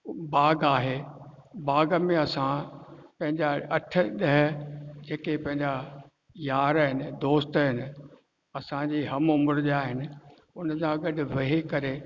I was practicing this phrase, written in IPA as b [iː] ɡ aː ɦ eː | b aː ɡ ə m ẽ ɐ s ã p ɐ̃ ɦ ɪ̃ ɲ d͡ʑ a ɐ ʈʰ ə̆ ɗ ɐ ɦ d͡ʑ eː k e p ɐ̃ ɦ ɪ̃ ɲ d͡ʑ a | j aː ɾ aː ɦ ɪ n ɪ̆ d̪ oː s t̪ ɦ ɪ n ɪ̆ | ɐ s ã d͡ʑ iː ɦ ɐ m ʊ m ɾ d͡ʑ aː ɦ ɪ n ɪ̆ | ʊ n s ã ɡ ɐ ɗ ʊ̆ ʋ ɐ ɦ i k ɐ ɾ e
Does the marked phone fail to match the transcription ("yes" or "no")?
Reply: yes